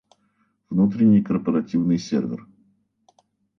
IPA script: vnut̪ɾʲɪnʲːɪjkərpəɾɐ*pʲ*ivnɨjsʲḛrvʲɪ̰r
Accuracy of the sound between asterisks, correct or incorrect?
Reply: incorrect